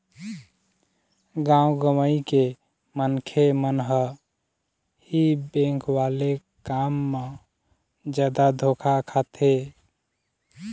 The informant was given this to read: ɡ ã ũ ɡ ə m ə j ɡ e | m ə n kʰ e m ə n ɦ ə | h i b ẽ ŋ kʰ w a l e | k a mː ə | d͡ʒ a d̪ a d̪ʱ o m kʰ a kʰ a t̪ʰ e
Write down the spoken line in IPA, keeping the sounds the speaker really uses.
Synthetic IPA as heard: ɡ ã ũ ɡ ə m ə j k e | m ə n kʰ e m ə n ɦ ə | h i b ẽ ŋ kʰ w a l e | k a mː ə | d͡ʒ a d̪ a d̪ʱ o kʰ a kʰ a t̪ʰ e